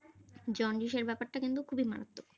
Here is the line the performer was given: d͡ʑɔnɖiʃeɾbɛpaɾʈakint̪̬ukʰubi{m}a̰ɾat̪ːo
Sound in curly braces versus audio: correct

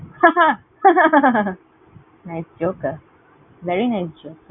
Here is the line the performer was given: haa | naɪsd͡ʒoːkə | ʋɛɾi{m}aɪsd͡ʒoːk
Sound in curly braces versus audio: incorrect: n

